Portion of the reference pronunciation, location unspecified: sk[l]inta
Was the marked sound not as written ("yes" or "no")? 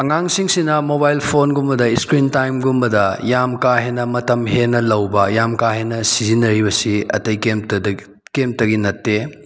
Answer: yes